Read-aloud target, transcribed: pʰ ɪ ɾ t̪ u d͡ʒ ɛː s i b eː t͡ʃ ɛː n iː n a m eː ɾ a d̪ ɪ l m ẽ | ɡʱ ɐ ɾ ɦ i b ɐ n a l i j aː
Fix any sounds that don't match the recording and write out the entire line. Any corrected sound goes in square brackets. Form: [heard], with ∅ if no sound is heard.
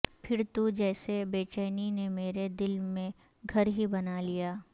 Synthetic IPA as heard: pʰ ɪ ɾ t̪ u d͡ʒ ɛː s [e] b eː t͡ʃ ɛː n [i] n [e] m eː ɾ [e] d̪ ɪ l m ẽ | ɡʱ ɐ ɾ ɦ i b ɐ n a l i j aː